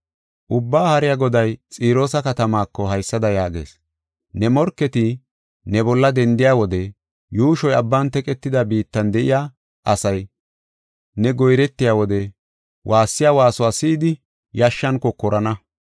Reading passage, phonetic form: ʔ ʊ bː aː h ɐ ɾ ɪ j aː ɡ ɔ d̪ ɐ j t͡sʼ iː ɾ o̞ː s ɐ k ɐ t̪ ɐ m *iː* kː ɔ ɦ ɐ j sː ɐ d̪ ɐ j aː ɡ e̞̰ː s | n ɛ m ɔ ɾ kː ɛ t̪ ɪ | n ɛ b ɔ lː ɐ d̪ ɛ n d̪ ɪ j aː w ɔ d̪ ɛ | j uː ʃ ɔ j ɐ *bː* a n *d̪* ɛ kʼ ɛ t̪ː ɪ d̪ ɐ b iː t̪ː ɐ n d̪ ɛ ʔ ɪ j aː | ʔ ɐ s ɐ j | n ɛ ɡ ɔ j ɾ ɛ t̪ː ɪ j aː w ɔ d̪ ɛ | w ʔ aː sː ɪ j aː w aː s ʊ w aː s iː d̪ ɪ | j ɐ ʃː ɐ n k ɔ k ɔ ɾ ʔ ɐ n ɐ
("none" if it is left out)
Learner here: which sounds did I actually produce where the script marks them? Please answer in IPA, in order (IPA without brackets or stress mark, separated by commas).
aː, bː, t̪